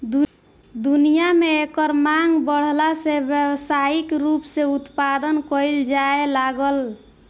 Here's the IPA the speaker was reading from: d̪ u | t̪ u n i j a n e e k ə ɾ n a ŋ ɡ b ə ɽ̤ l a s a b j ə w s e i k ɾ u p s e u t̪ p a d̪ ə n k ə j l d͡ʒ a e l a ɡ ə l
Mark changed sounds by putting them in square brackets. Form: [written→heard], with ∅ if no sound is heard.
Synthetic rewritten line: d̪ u | [t̪→d̪] u n i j a [n→m] e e k ə ɾ [n→m] a ŋ ɡ b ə ɽ̤ l a s [a→e] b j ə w s [e→a] i k ɾ u p s e u t̪ p a d̪ ə n k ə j l d͡ʒ a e l a ɡ ə l